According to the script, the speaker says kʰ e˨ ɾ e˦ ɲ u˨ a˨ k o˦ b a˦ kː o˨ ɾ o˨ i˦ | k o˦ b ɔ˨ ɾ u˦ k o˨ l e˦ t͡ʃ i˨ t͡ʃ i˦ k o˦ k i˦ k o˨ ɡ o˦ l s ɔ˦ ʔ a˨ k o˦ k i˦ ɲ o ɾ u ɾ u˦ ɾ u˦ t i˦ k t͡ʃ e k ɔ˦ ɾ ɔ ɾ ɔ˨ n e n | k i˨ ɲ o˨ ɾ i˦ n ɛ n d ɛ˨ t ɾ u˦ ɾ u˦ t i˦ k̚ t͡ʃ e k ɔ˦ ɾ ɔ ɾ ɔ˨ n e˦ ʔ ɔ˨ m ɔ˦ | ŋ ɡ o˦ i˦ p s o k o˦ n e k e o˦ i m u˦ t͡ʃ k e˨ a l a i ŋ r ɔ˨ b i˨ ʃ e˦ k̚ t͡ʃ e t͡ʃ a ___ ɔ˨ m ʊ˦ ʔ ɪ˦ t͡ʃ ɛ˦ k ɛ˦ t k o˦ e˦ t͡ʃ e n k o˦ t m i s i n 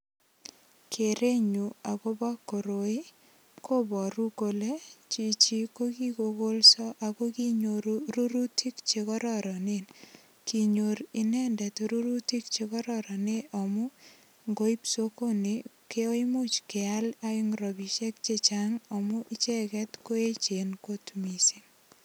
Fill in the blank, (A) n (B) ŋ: B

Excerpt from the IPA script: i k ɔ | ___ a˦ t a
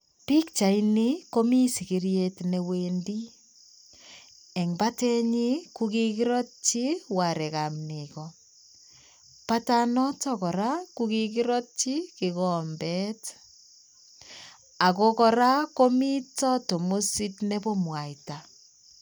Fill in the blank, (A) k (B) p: B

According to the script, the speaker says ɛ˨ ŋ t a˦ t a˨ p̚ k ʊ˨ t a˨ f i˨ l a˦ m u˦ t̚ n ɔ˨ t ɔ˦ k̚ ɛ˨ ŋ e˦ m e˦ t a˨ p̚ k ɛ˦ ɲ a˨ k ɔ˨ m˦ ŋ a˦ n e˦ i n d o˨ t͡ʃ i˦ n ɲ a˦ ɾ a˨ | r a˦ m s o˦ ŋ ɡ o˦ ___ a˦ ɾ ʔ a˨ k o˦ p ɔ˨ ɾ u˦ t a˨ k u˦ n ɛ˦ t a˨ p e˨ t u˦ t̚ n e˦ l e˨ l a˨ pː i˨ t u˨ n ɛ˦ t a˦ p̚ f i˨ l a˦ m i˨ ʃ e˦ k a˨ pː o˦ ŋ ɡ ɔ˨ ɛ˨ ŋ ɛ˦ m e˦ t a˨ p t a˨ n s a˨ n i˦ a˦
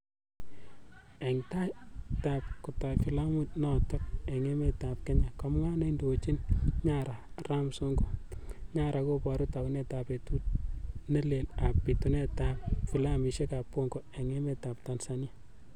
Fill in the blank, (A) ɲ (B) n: A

